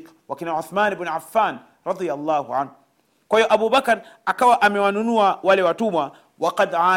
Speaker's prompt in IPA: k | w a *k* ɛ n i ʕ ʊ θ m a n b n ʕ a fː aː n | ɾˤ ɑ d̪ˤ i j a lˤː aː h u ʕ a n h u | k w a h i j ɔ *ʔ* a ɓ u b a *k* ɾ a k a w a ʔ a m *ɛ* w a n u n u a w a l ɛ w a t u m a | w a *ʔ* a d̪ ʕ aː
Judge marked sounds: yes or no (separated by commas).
yes, yes, yes, yes, no